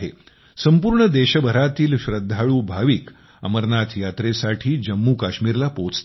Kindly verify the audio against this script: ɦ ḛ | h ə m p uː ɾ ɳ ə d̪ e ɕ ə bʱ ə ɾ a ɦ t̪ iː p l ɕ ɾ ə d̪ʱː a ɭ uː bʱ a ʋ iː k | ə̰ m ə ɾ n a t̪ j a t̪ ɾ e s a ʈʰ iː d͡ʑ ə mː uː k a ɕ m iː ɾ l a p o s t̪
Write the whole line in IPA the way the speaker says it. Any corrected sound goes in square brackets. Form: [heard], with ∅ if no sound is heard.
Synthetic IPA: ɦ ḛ | [s] ə m p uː ɾ ɳ ə d̪ e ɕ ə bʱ ə ɾ a [∅] t̪ iː [∅] l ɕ ɾ ə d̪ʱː a ɭ uː bʱ a ʋ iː k | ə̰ m ə ɾ n a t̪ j a t̪ ɾ e s a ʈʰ iː d͡ʑ ə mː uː k a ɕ m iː ɾ l a p o [t͡s] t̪